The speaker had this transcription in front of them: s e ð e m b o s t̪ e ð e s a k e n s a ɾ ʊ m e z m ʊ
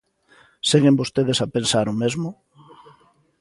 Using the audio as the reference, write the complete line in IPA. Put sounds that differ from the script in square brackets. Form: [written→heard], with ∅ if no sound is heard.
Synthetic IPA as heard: s e [ð→ɣ] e m b o s t̪ e ð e s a [k→p] e n s a ɾ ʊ m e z m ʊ